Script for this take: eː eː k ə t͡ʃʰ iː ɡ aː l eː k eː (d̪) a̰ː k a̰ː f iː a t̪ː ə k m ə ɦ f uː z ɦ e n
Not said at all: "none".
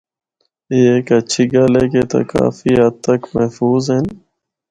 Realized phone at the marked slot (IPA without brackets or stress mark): t̪